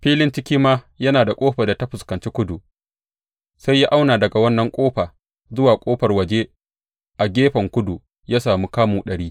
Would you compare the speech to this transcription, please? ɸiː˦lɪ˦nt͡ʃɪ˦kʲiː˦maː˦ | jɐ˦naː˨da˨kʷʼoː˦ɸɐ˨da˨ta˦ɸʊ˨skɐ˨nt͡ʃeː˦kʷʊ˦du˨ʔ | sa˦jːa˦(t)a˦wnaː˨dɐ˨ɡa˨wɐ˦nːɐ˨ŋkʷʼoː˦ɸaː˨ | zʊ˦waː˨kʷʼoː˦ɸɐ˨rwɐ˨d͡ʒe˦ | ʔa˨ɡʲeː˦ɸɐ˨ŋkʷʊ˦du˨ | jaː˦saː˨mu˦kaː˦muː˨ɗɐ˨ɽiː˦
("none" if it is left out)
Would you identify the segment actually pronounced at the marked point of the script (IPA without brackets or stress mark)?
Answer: ʔ